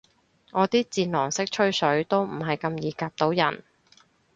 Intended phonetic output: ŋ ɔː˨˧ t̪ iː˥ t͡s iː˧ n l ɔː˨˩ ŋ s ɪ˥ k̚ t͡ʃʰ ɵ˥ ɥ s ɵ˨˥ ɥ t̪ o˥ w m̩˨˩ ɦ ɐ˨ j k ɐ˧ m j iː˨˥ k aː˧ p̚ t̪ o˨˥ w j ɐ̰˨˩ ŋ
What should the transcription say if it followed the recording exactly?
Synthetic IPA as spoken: ŋ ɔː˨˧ t̪ iː˥ t͡s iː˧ n l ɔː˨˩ ŋ s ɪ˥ k̚ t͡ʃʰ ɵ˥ ɥ s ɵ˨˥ ɥ t̪ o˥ w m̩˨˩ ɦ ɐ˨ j k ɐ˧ m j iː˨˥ k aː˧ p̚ t̪ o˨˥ w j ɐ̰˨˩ n